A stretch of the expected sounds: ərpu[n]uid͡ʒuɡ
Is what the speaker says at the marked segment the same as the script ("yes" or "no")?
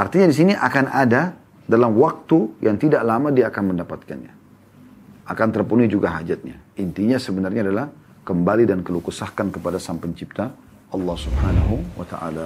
yes